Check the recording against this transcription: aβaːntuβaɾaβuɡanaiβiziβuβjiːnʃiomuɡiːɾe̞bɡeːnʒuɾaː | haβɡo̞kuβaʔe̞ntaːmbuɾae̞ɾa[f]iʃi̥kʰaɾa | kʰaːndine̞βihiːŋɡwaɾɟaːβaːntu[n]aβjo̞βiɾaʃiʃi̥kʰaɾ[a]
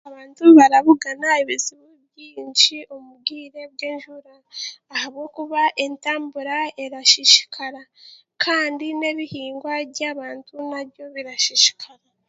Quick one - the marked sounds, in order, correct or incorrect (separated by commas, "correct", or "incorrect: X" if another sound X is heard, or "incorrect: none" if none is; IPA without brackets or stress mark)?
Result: incorrect: ʃ, correct, correct